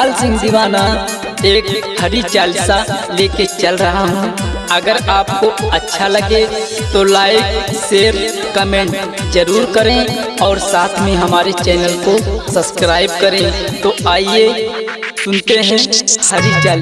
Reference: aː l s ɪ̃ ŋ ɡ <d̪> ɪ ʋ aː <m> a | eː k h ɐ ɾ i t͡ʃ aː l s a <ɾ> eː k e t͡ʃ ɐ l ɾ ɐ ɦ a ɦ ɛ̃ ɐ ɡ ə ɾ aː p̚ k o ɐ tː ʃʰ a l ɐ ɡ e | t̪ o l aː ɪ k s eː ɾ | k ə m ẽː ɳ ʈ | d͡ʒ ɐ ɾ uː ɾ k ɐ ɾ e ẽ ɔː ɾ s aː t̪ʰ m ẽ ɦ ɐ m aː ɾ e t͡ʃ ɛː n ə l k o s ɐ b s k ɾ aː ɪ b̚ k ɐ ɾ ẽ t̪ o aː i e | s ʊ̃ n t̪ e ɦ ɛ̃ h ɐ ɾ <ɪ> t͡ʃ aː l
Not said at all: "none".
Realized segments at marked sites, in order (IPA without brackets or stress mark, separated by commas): d̪, n, l, i